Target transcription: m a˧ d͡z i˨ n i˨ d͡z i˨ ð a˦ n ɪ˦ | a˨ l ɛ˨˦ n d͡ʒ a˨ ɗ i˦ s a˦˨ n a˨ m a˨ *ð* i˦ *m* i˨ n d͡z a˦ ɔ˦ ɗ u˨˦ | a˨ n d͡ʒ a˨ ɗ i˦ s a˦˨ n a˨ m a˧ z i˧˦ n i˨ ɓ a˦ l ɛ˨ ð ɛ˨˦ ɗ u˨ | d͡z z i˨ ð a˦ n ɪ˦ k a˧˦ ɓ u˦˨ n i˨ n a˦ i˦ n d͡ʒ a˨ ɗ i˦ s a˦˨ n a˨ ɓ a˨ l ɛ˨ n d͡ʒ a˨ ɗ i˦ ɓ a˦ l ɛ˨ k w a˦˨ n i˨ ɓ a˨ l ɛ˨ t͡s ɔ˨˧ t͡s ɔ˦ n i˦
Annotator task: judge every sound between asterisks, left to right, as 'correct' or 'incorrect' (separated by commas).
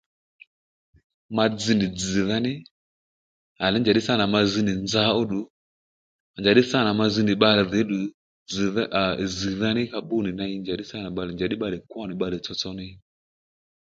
incorrect, incorrect